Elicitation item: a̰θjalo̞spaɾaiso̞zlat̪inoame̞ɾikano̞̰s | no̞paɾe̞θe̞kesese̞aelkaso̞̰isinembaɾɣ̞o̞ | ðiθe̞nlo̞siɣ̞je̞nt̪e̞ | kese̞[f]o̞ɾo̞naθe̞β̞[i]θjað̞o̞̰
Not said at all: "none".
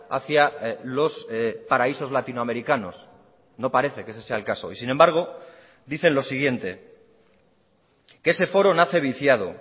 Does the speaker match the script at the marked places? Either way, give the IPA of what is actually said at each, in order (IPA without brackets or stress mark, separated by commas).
f, i